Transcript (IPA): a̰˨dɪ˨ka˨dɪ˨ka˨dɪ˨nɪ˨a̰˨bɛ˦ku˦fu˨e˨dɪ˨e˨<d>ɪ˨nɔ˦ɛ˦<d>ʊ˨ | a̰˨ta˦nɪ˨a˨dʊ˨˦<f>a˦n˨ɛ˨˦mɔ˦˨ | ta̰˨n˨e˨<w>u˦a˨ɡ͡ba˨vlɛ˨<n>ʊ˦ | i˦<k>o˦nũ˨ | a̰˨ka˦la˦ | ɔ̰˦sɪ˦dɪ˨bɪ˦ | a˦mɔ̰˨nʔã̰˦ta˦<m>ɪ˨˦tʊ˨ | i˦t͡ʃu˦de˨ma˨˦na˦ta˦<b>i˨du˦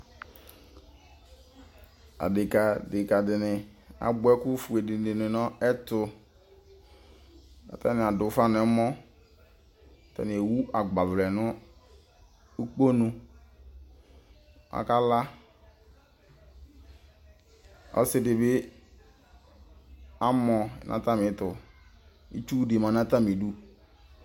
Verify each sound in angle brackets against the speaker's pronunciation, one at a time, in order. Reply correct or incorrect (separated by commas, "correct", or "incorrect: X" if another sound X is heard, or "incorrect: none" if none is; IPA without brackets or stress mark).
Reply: incorrect: n, incorrect: t, correct, correct, correct, incorrect: k͡p, correct, incorrect: m